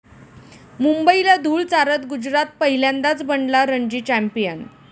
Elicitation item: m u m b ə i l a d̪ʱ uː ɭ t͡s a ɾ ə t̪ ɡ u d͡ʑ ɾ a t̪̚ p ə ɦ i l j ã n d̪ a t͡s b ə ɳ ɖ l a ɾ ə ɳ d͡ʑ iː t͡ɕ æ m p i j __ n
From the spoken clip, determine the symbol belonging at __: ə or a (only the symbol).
ə